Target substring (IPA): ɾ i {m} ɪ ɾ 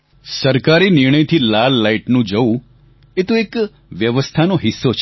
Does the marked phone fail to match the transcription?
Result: yes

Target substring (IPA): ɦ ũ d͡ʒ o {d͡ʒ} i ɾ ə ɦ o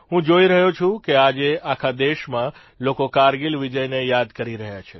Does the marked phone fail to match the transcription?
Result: yes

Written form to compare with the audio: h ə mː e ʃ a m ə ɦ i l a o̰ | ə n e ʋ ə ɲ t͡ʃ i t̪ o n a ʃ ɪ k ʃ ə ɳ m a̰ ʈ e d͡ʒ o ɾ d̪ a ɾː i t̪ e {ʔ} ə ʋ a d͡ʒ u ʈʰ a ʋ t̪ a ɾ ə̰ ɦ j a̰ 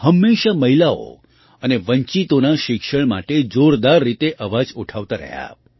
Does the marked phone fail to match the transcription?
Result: no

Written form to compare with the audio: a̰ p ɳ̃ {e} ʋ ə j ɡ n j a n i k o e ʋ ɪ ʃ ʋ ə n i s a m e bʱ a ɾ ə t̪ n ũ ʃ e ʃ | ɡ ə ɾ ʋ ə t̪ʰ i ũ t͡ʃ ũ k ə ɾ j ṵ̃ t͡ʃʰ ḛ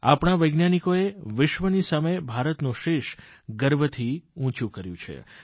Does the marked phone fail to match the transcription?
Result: yes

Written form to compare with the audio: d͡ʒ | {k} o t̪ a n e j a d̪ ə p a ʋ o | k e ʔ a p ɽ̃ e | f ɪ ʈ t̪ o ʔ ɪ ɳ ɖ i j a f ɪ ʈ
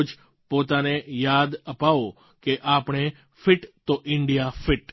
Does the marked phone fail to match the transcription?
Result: yes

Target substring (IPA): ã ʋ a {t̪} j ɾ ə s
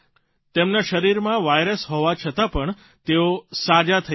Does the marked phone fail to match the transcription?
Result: yes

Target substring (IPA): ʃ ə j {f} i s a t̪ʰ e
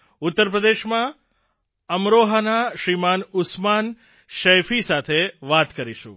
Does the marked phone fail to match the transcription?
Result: no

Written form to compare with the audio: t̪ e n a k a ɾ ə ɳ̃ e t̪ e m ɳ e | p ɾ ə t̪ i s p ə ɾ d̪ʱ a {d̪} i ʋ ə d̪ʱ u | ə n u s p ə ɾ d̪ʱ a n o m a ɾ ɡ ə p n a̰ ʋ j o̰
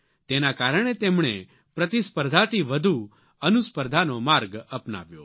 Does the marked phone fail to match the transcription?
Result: yes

